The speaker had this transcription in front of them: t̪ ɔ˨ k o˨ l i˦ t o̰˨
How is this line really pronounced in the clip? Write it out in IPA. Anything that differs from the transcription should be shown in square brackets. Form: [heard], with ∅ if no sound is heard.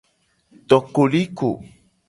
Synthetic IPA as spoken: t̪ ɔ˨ k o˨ l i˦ [k] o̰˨